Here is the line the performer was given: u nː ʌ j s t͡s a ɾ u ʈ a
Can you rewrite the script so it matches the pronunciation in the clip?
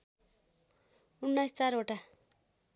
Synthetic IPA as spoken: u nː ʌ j s t͡s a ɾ o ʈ a

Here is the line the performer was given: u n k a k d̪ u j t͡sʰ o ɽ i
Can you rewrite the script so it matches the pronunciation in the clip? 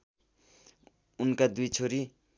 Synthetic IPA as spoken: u n k a d̪ u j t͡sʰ o ɾ i

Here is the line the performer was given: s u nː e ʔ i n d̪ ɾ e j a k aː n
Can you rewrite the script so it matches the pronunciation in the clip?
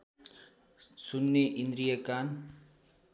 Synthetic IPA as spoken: s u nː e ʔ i n d̪ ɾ i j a k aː n

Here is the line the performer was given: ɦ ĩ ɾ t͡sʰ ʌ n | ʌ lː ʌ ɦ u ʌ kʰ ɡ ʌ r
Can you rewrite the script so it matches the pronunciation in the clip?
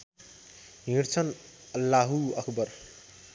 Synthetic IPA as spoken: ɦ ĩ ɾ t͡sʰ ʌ n | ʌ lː a ɦ u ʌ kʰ b ʌ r

